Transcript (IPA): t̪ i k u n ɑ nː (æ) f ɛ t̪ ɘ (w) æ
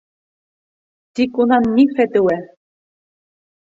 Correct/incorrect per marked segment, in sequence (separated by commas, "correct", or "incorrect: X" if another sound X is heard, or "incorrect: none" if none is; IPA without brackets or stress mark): incorrect: i, correct